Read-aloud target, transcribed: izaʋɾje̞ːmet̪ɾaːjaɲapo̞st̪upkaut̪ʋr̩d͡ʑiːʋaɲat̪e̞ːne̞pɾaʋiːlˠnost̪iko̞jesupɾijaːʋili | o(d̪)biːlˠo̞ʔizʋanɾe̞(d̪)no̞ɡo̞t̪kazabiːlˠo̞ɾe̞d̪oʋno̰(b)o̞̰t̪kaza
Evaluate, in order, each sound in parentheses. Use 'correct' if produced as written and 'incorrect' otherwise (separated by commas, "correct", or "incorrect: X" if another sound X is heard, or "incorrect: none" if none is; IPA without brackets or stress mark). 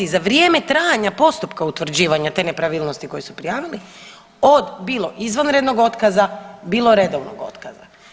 correct, correct, incorrect: ɡ